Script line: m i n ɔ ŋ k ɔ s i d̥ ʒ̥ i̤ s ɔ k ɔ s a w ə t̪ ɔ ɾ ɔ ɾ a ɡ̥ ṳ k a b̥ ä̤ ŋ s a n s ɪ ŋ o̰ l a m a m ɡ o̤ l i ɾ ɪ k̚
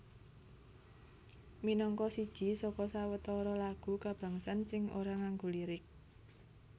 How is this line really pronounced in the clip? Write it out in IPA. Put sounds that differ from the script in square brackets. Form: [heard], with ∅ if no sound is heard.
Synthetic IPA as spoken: m i n ɔ ŋ k ɔ s i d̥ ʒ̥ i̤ s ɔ k ɔ s a w ə t̪ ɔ ɾ ɔ [l] a ɡ̥ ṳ k a b̥ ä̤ ŋ s a n s ɪ ŋ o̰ [ɾ] a [ŋ] a [ŋ] ɡ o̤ l i ɾ ɪ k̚